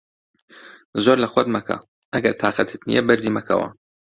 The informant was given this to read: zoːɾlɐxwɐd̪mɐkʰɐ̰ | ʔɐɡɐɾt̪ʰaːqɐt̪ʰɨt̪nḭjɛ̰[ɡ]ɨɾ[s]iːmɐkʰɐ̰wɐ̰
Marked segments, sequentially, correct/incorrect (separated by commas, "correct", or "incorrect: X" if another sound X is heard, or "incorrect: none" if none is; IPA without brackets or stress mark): incorrect: b, incorrect: z